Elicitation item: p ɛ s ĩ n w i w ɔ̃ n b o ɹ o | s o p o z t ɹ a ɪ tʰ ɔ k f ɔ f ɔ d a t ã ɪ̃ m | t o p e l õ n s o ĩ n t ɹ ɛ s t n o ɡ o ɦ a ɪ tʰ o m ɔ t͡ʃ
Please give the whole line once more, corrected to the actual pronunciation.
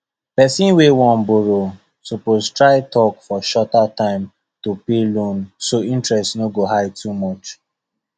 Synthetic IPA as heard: p ɛ s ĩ n w e w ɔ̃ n b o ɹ o | s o p o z t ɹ a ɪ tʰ ɔ k f ɔ ʃ ɔ t a t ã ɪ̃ m | t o p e l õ n s o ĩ n t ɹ ɛ s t n o ɡ o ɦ a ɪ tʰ u m ɔ t͡ʃ

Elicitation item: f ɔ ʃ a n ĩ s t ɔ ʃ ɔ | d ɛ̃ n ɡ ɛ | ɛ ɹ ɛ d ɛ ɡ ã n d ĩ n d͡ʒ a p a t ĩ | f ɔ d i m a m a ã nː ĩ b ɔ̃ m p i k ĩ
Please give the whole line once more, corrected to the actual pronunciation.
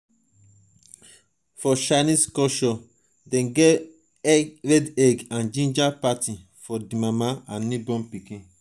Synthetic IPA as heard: f ɔ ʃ a n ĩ s k ɔ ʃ ɔ | d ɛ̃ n ɡ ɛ | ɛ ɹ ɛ d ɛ ɡ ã n d͡ʒ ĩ n d͡ʒ a p a t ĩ | f ɔ d i m a m a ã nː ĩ b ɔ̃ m p i k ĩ

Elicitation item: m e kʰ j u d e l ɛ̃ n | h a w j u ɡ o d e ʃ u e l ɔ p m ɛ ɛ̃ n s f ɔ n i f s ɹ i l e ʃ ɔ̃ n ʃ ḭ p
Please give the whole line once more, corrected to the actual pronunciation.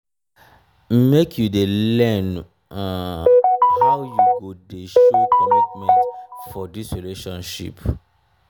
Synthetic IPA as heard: m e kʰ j u d e l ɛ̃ n | h a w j u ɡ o d e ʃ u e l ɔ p m ɛ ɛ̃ n t f ɔ d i s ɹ i l e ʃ ɔ̃ n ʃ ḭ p

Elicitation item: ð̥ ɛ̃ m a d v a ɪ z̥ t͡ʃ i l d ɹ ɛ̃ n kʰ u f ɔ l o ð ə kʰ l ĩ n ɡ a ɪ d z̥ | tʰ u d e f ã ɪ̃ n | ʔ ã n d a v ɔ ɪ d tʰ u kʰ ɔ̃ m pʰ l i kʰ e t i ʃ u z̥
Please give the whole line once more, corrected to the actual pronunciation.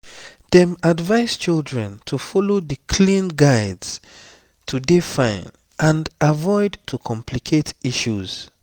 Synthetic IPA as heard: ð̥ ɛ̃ m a d v a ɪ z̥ t͡ʃ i l d ɹ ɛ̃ n tʰ u f ɔ l o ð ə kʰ l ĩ n ɡ a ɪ d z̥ | tʰ u d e f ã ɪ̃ n | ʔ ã n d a v ɔ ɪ d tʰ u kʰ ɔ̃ m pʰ l i kʰ e t i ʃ u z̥

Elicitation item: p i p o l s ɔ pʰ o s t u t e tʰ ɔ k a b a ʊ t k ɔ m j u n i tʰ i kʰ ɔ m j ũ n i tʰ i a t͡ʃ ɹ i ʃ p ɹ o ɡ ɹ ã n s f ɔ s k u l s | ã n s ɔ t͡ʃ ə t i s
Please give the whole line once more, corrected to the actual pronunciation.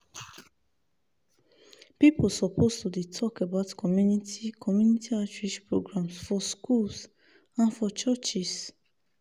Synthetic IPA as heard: p i p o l s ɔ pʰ o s t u d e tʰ ɔ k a b a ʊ t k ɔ m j u n i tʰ i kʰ ɔ m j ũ n i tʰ i a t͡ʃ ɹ i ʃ p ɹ o ɡ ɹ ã m s f ɔ s k u l s | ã n f ɔ t͡ʃ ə t͡ʃ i s

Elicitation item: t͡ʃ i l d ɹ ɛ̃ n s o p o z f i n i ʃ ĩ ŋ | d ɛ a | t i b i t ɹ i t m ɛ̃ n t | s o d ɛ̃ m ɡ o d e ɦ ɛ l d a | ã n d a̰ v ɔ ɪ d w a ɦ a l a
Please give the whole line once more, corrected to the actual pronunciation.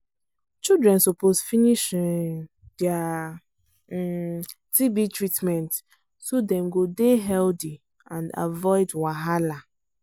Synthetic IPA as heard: t͡ʃ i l d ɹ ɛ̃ n s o p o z f i n i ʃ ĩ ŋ | d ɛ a | t i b i t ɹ i t m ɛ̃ n t | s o d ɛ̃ m ɡ o d e ɦ ɛ l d i | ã n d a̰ v ɔ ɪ d w a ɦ a l a

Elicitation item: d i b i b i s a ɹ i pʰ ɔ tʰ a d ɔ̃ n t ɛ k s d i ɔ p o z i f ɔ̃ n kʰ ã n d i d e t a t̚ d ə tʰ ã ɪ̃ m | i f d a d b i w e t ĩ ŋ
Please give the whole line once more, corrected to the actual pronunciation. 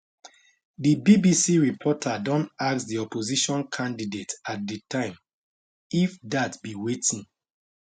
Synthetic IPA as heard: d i b i b i s i ɹ i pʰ ɔ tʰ a d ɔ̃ n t a k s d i ɔ p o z i ʃ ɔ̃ n kʰ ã n d i d e t a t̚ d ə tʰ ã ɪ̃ m | i f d a t b i w e t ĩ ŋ

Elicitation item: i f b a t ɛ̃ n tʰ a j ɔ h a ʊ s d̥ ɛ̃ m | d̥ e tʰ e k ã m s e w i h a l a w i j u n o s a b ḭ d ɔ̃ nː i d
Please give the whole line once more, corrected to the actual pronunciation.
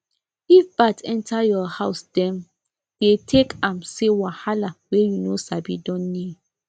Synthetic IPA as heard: i f b a t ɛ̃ n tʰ a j ɔ h a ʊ s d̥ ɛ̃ m | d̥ e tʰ e k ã m s e w a h a l a w e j u n o s a b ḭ d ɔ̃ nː i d

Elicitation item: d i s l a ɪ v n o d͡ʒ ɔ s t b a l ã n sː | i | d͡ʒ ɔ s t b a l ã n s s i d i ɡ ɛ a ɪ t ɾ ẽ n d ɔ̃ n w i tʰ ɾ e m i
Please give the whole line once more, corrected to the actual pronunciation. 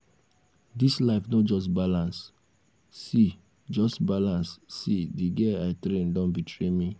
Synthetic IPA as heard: d i s l a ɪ f n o d͡ʒ ɔ s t b a l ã n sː | i | d͡ʒ ɔ s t b a l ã n s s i d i ɡ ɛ a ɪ t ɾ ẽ n d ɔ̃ n b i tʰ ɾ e m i

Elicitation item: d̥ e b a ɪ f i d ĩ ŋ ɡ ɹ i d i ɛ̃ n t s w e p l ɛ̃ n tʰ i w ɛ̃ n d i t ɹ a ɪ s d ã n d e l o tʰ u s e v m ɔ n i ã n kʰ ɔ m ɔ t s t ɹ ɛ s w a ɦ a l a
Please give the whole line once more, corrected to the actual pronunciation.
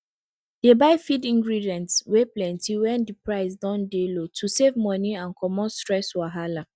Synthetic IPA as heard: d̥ e b a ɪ f i d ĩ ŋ ɡ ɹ i d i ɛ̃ n t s w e p l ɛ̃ n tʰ i w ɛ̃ n d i p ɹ a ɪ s d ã n d e l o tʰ u s e v m ɔ n i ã n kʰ ɔ m ɔ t s t ɹ ɛ s w a ɦ a l a

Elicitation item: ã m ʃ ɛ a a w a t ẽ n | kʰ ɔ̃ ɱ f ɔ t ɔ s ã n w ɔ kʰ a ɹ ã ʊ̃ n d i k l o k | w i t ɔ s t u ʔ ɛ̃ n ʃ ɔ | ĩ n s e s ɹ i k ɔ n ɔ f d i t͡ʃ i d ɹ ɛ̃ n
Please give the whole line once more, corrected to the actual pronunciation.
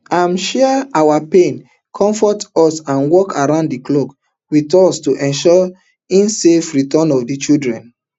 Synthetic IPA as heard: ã m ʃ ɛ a a w a p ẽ n | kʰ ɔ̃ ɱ f ɔ t ɔ s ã n w ɔ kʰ a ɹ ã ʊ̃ n d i k l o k | w i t ɔ s t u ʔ ɛ̃ n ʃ ɔ | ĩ n s e f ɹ i t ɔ n ɔ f d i t͡ʃ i d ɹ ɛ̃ n

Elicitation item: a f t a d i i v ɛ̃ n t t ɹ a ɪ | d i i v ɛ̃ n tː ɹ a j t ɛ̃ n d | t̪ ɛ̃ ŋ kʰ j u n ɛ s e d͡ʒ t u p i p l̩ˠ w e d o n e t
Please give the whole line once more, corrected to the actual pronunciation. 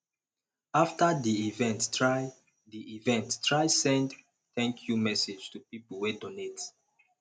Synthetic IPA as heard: a f t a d i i v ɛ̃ n t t ɹ a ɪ | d i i v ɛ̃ n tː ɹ a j s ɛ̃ n d | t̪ ɛ̃ ŋ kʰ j u m ɛ s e d͡ʒ t u p i p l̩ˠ w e d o n e t

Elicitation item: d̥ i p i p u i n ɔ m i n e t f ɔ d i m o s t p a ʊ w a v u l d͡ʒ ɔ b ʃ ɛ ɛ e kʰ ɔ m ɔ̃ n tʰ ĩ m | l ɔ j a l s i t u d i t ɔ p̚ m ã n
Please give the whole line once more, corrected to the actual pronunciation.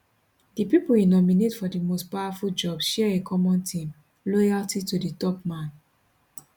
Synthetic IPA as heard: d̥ i p i p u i n ɔ m i n e t f ɔ d i m o s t p a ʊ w a f u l d͡ʒ ɔ b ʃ ɛ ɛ e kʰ ɔ m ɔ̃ n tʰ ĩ m | l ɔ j a l t i t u d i t ɔ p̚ m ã n

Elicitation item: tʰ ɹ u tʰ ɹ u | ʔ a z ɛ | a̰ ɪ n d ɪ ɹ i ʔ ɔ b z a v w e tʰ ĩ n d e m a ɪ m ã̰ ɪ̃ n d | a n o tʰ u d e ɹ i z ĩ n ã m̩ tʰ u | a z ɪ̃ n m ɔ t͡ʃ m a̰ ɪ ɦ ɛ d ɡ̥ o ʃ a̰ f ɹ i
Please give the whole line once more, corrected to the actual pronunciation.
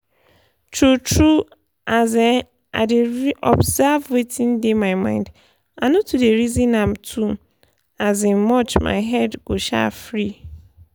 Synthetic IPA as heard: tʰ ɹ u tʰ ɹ u | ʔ a z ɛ | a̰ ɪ d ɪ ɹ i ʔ ɔ b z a v w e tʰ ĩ n d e m a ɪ m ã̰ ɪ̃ n d | a n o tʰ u d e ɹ i z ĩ n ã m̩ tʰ u | a z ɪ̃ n m ɔ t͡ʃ m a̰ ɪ ɦ ɛ d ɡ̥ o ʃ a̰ f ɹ i

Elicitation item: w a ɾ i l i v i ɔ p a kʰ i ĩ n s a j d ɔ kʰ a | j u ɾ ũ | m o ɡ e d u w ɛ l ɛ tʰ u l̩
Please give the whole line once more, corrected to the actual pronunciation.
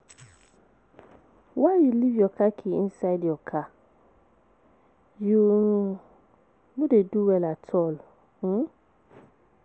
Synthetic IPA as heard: w a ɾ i l i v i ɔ k a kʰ i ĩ n s a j d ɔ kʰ a | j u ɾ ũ | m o d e d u w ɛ l a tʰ ɔ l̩

